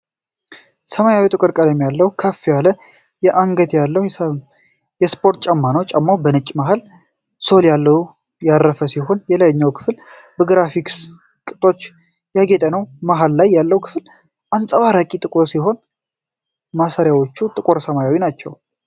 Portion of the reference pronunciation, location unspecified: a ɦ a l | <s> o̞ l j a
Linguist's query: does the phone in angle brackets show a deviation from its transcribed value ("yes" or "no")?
no